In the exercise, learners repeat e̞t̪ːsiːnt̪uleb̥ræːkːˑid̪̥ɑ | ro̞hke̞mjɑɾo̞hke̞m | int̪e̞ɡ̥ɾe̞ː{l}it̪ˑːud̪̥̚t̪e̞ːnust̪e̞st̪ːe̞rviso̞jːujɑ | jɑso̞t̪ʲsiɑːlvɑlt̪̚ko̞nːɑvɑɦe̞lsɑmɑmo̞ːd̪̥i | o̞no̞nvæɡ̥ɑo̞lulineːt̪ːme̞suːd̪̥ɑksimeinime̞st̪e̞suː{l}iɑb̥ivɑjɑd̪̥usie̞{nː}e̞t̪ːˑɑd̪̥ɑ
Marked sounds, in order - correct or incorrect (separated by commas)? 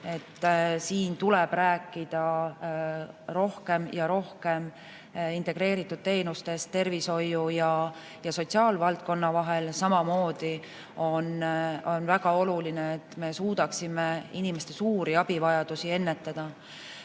incorrect, incorrect, correct